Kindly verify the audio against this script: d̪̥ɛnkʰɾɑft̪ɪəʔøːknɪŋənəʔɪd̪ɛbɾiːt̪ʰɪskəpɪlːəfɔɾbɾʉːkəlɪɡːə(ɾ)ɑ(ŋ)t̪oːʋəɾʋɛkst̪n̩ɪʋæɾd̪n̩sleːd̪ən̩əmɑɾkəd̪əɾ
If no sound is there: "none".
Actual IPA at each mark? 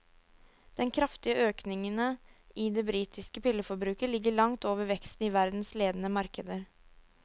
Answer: ɭ, ŋ

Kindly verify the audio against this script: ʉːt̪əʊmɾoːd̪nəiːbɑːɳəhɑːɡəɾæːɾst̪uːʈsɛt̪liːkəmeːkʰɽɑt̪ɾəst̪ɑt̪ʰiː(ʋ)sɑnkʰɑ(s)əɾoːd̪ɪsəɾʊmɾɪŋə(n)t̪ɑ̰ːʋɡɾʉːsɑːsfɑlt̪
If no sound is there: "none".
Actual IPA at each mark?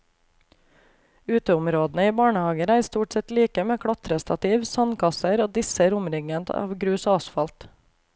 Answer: ʋ, s, n

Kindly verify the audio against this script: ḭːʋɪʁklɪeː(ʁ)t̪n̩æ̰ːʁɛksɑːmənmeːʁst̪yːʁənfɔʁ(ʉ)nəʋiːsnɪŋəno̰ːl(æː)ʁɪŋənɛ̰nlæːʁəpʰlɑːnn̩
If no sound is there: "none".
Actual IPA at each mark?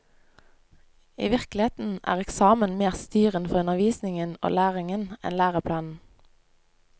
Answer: none, ʉ, æː

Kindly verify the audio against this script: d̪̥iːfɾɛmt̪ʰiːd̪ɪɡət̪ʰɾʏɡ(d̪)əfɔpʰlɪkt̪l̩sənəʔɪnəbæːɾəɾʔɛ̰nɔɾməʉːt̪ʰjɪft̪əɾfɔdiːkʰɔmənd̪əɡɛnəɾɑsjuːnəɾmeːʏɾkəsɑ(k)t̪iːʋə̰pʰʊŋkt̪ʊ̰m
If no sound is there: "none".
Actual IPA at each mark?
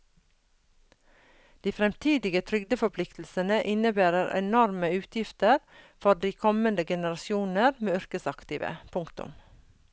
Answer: d̪, k

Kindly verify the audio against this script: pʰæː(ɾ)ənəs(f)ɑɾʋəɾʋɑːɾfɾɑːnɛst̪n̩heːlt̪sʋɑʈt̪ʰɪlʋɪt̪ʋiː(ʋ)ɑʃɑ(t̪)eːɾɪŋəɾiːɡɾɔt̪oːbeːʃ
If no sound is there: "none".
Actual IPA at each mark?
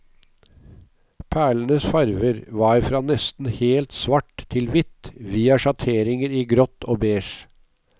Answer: ɭ, f, none, t̪ʰ

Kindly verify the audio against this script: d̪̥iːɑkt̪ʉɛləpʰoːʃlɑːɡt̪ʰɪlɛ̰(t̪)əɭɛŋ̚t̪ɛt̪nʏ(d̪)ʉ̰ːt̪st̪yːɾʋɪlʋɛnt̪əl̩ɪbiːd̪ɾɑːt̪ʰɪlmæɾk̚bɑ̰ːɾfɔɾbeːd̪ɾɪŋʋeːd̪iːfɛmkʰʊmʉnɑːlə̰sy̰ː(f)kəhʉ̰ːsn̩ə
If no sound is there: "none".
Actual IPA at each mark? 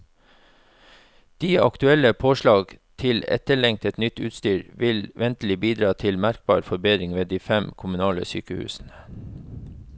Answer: t̪, t̪, none

